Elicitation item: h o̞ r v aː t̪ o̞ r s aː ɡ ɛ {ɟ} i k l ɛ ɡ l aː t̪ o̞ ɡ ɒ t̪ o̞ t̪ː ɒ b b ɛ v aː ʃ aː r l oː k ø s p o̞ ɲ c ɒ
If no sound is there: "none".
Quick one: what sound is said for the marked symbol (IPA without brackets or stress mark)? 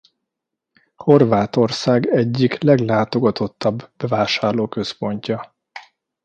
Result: ɟː